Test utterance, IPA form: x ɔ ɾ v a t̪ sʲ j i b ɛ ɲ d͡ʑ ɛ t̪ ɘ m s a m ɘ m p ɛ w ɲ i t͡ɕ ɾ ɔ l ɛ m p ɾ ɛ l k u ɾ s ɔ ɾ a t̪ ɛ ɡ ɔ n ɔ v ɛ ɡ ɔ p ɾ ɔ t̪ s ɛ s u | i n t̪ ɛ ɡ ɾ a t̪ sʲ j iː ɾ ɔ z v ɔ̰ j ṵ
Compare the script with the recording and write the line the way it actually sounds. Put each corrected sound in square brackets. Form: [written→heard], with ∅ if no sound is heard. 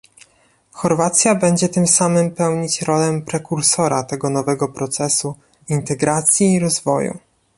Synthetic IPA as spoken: x ɔ ɾ v a t̪ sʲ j [i→a] b ɛ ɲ d͡ʑ ɛ t̪ ɘ m s a m ɘ m p ɛ w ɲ i t͡ɕ ɾ ɔ l ɛ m p ɾ ɛ [l→∅] k u ɾ s ɔ ɾ a t̪ ɛ ɡ ɔ n ɔ v ɛ ɡ ɔ p ɾ ɔ t̪ s ɛ s u | i n t̪ ɛ ɡ ɾ a t̪ sʲ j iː ɾ ɔ z v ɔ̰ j ṵ